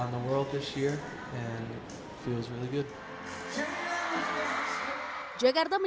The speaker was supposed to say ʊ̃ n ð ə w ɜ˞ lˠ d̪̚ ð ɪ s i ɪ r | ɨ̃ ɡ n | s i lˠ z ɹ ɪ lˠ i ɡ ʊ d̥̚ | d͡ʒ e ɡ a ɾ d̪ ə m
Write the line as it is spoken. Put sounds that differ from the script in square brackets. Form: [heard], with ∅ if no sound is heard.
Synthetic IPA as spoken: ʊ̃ n ð ə w ɜ˞ lˠ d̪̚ ð ɪ s [j] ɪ [ɹ] | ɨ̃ [∅] n | [f] i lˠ z ɹ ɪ lˠ i ɡ ʊ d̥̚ | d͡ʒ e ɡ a ɾ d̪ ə m